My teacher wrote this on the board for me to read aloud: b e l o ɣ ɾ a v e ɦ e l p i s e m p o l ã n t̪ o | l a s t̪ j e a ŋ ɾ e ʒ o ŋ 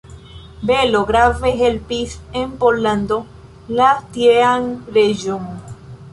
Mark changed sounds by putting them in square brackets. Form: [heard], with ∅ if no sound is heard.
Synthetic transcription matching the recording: b e l o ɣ ɾ a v e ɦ e l p i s e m p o l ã n [d̪] o | l a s t̪ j e a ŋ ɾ e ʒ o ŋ